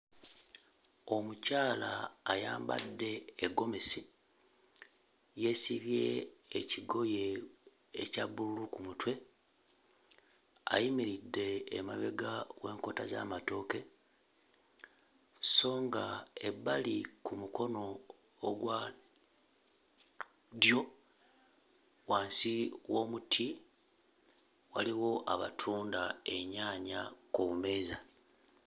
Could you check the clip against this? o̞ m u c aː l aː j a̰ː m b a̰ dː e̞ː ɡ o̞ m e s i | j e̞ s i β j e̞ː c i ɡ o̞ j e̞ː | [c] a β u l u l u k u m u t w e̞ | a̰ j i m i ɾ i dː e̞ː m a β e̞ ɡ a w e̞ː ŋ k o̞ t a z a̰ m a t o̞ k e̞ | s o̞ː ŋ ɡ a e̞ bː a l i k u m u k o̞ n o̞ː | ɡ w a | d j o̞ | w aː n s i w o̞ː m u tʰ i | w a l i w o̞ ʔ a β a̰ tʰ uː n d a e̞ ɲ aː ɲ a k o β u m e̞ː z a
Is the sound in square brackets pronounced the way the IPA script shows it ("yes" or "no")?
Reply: yes